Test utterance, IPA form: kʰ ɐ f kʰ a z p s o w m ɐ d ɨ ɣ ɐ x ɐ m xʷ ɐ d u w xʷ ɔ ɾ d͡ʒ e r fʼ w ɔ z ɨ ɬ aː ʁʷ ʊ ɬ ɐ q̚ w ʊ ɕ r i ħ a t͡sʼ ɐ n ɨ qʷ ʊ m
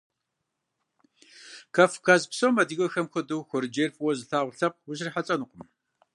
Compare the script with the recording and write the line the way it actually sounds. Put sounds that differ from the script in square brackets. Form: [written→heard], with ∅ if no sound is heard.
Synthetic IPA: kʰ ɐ f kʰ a z p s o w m ɐ d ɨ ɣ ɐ x ɐ m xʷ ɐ d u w xʷ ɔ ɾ d͡ʒ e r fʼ w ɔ z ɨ ɬ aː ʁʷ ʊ ɬ ɐ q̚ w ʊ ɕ r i ħ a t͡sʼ ɐ n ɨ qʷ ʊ m

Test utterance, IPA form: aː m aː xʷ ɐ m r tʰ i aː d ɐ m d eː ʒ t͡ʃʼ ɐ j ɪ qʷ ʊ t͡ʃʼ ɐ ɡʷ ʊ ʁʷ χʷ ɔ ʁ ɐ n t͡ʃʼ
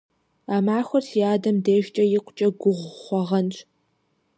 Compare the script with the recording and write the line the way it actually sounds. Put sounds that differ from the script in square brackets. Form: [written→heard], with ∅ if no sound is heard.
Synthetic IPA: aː m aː xʷ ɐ [m→∅] r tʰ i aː d ɐ m d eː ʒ t͡ʃʼ ɐ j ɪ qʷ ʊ t͡ʃʼ ɐ ɡʷ ʊ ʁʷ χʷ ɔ ʁ ɐ n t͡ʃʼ

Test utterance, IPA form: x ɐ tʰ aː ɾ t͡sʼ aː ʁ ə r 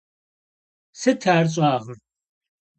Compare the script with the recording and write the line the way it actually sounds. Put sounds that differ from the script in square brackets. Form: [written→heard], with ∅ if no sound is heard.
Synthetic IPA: [x→s] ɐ tʰ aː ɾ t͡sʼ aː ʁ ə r

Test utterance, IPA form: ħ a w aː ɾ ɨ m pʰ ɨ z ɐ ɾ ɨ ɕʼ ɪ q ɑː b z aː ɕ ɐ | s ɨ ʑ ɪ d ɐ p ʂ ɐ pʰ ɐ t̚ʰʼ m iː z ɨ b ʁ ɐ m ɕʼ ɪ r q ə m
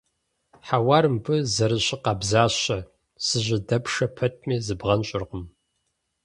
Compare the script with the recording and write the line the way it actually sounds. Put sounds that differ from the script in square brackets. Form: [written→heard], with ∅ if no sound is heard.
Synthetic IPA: ħ a w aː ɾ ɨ m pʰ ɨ z ɐ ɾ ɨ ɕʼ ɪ q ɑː b z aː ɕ ɐ | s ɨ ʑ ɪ d ɐ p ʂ ɐ pʰ ɐ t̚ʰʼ m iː z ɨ b ʁ ɐ [m→n] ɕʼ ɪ r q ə m

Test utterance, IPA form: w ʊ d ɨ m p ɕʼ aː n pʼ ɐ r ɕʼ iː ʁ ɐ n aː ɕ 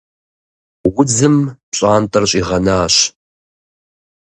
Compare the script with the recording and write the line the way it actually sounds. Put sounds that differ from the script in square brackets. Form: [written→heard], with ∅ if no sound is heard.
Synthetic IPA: w ʊ [d→d͡z] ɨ m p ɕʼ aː n [pʼ→tʼ] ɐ r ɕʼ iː ʁ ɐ n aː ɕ

